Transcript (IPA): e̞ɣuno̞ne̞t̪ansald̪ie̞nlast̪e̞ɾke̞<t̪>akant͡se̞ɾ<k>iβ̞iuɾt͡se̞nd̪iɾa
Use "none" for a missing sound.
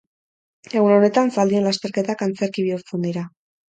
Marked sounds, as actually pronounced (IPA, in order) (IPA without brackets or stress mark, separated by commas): t̪, k